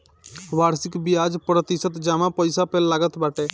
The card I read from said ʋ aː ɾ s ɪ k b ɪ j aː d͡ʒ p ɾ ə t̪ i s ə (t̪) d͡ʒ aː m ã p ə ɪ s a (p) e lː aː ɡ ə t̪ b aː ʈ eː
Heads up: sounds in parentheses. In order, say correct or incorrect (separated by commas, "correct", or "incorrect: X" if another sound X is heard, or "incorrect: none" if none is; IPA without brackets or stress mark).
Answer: correct, correct